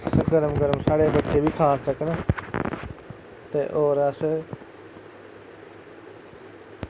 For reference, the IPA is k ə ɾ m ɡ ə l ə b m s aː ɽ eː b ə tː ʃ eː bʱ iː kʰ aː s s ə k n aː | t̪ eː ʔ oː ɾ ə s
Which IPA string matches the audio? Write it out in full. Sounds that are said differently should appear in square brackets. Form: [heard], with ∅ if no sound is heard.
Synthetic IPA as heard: [ɡ] ə ɾ m ɡ ə [ɾ] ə [∅] m s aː ɽ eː b ə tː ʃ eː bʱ iː kʰ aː s s ə k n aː | t̪ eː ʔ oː ɾ ə s